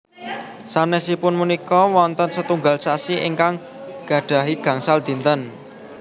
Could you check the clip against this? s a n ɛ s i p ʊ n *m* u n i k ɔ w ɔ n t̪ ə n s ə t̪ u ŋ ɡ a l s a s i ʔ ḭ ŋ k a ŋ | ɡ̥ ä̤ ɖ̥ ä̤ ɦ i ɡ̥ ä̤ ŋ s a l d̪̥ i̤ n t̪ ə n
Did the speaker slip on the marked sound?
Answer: no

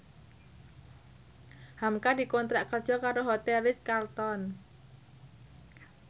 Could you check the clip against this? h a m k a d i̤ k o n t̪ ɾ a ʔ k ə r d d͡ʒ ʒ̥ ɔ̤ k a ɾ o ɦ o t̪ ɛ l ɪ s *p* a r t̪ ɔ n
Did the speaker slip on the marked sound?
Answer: yes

